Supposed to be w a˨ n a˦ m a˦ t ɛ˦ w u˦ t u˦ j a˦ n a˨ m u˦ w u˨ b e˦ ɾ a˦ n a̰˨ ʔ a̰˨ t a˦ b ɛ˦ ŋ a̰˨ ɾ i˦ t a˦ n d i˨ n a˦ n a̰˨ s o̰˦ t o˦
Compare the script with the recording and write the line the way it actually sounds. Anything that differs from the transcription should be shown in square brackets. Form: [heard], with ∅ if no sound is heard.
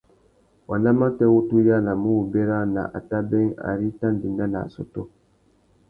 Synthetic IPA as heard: w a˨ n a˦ m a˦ t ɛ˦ w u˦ t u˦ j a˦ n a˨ m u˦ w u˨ b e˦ ɾ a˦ n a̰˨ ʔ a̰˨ t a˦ b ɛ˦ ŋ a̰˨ ɾ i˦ t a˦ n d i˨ n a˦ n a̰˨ s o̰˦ t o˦